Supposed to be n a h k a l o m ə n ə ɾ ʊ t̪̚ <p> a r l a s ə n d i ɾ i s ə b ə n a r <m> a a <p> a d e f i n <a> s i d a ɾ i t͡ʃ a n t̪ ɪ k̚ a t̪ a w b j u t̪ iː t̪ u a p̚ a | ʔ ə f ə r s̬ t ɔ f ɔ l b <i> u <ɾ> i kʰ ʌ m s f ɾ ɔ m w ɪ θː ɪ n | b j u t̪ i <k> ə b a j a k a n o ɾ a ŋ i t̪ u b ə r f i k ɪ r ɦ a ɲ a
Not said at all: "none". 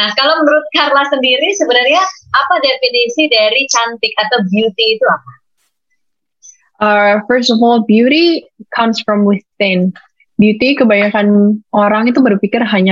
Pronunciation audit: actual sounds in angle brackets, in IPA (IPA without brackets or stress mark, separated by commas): k, ɲ, p, i, j, ɾ, k